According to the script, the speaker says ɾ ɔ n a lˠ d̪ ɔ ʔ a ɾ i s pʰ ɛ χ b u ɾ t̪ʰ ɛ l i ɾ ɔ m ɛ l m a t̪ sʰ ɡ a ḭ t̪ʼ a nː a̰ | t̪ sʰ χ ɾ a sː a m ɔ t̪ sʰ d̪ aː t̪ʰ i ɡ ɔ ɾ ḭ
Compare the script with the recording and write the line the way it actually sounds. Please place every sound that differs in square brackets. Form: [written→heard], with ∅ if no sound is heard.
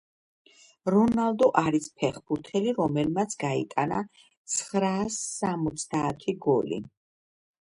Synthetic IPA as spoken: ɾ ɔ n a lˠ d̪ ɔ ʔ a ɾ i s pʰ ɛ χ b u ɾ t̪ʰ ɛ l i ɾ ɔ m ɛ l m a t̪ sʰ ɡ a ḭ t̪ʼ a [nː→n] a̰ | t̪ sʰ χ ɾ a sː a m ɔ t̪ sʰ d̪ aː t̪ʰ i ɡ ɔ [ɾ→l] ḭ